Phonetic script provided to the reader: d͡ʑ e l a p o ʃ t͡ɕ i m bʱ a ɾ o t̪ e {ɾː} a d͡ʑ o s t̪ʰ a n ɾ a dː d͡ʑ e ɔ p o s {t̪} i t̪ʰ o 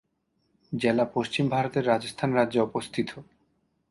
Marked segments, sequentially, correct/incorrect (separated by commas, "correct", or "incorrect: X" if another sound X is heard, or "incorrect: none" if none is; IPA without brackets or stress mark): correct, incorrect: t̪ʰ